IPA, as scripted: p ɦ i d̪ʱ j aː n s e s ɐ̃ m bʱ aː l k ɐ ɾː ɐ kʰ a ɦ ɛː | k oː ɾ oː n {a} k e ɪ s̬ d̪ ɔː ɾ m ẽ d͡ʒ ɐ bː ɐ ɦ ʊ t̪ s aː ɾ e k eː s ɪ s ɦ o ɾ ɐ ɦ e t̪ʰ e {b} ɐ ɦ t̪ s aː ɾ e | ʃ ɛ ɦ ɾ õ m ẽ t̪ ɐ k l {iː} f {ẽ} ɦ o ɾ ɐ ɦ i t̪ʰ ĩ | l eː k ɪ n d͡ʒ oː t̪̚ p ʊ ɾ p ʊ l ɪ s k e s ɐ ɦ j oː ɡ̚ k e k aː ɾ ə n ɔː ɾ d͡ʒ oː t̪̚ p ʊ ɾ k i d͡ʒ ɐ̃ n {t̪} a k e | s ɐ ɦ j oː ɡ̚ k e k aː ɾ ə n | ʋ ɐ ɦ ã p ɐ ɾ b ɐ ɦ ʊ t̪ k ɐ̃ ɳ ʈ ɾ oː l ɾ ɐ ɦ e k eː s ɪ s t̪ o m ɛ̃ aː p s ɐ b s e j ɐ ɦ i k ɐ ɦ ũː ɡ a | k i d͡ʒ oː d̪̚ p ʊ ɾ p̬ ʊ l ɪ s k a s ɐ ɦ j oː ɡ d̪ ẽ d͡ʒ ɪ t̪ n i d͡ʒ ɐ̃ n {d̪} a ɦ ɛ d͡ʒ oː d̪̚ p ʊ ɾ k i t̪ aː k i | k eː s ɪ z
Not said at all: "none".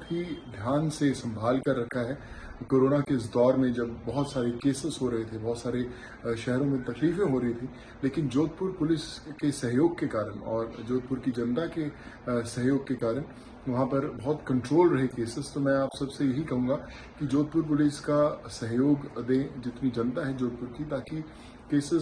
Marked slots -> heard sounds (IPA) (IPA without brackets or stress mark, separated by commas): a, b, iː, ẽ, t̪, t̪